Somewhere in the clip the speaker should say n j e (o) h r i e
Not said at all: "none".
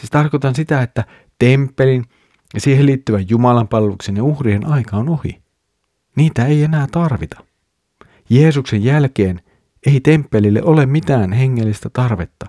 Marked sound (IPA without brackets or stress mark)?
u